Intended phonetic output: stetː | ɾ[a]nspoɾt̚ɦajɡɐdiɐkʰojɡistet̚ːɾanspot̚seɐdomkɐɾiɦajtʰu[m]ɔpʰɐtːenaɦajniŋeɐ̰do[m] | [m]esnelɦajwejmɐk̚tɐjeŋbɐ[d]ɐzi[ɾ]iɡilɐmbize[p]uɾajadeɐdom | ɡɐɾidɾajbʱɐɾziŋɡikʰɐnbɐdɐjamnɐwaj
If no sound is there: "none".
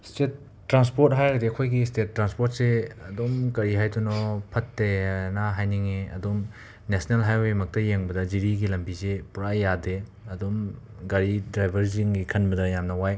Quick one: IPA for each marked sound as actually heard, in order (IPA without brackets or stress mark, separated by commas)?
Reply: a, n, m, n, d, ɾ, p